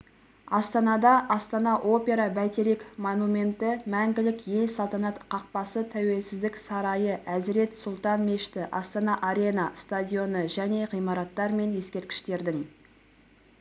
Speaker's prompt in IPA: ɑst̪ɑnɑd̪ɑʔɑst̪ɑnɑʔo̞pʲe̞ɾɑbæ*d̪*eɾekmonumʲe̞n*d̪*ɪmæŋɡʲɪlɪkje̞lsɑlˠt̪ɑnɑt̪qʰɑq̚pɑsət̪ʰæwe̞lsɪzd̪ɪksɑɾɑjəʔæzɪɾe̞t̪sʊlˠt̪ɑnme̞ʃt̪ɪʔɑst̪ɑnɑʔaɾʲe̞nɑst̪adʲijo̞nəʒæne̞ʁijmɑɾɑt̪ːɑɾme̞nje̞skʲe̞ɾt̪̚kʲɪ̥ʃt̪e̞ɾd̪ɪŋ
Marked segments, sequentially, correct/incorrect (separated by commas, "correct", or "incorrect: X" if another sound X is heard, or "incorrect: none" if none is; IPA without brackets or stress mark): incorrect: t̪, incorrect: t̪